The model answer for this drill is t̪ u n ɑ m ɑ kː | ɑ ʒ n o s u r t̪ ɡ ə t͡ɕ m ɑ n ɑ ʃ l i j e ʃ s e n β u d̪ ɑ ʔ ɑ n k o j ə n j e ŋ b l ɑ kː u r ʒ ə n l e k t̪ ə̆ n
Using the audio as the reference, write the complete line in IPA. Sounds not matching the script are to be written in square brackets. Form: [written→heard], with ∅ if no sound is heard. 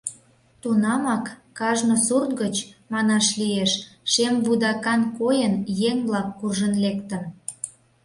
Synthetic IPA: t̪ u n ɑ m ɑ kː | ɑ ʒ n o s u r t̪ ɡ ə t͡ɕ m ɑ n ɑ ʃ l i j e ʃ [s→ʃ] e [n→m] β u d̪ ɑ [ʔ→k] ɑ n k o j ə n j e ŋ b l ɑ kː u r ʒ ə n l e k t̪ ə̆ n